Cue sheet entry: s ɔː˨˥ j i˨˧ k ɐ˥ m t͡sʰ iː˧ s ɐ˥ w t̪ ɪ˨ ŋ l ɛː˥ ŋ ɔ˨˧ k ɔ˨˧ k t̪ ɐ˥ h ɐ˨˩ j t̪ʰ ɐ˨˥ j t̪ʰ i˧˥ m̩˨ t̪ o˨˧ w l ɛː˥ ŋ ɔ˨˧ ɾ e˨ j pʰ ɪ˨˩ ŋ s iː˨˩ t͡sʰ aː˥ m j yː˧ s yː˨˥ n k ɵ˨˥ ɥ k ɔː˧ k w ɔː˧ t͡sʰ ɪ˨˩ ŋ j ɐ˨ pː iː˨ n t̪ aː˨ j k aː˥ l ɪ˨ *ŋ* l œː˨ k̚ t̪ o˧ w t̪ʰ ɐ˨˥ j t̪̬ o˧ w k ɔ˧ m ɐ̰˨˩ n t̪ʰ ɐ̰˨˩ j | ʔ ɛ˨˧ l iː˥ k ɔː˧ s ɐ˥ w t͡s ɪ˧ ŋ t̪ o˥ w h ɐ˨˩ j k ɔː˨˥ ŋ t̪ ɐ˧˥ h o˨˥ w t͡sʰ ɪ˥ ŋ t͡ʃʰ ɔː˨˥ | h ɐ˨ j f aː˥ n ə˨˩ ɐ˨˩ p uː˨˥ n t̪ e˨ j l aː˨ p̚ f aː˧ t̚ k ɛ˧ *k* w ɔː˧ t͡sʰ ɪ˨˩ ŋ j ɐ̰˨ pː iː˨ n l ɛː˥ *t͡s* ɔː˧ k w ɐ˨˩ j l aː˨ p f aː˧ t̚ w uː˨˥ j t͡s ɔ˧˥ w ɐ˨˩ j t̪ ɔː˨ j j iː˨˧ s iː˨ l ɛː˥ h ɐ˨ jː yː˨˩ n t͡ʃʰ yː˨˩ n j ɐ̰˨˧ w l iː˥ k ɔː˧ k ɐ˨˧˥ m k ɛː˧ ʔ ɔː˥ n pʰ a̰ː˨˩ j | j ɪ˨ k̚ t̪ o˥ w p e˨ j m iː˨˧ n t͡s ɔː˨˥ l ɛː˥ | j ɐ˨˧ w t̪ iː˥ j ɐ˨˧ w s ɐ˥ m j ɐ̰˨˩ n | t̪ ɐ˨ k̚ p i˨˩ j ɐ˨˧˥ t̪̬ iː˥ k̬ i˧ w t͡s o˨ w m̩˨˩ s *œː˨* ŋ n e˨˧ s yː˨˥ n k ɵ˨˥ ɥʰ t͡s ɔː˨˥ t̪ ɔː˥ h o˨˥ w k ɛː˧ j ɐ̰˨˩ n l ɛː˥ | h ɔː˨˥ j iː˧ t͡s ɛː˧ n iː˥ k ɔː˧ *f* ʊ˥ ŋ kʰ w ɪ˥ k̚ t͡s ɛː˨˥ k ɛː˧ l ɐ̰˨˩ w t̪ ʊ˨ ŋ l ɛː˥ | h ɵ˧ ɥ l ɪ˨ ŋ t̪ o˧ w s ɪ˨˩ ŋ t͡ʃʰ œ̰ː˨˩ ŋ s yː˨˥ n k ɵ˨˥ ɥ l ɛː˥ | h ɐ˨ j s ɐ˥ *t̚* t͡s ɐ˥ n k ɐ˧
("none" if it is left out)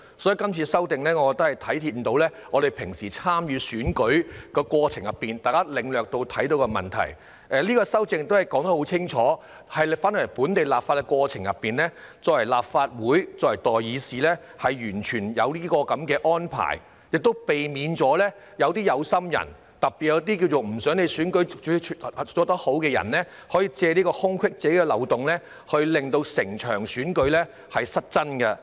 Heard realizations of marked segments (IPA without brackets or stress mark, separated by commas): ŋ, k, t͡s, œː˨˥, h, t̚